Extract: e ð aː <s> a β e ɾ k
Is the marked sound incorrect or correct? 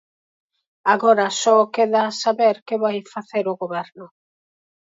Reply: correct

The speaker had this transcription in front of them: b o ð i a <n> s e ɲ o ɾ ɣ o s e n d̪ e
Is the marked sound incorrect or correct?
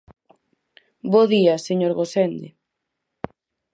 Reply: incorrect: none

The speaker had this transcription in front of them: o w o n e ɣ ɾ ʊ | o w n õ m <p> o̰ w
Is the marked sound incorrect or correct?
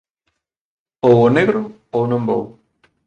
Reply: incorrect: b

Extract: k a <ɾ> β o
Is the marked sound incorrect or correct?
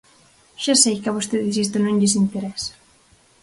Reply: incorrect: none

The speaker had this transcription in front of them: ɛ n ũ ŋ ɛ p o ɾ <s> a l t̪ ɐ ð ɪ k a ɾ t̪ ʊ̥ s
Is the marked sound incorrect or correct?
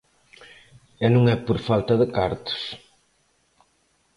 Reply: incorrect: f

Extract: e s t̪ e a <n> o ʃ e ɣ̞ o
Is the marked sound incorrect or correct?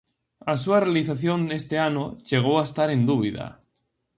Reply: correct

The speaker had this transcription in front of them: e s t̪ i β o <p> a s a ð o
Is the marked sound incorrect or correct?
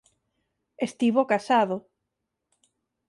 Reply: incorrect: k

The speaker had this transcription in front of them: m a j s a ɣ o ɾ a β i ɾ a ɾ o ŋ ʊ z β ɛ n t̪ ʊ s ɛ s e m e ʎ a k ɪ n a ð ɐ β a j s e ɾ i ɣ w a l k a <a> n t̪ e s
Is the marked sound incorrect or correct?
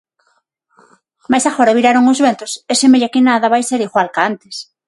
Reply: correct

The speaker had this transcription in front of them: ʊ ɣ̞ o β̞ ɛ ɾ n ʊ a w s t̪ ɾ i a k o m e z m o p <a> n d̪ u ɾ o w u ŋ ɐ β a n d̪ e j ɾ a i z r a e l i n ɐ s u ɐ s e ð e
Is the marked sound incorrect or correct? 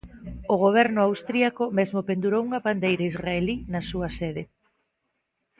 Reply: incorrect: e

